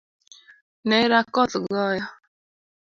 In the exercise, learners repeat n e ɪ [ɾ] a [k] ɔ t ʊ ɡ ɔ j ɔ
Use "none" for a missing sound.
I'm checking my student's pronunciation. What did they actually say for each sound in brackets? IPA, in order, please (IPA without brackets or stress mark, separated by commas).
ɾ, k